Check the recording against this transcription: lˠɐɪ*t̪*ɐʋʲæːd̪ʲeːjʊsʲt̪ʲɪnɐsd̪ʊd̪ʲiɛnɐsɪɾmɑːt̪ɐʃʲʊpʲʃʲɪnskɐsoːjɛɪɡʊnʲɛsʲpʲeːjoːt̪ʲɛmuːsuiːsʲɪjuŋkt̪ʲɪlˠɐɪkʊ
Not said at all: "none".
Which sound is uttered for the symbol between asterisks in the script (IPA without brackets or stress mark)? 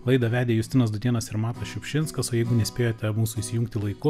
d̪